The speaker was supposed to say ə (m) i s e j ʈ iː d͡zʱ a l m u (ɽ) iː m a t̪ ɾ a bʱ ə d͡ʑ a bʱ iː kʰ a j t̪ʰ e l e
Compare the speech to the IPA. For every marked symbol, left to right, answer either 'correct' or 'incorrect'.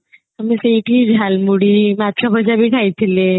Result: correct, correct

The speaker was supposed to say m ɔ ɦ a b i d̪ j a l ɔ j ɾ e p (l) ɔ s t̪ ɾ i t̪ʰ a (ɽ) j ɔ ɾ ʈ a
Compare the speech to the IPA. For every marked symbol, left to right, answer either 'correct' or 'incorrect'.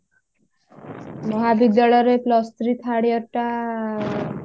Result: correct, correct

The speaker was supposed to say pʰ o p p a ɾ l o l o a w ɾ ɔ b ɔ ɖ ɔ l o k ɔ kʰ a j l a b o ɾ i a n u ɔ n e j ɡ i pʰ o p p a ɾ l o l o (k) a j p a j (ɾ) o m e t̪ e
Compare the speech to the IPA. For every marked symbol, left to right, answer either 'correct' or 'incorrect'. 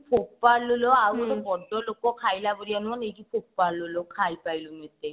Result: incorrect, incorrect

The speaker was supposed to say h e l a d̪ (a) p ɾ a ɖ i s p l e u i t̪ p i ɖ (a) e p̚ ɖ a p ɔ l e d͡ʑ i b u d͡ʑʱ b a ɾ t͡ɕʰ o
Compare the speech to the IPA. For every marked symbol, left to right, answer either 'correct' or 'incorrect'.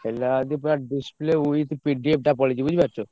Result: incorrect, incorrect

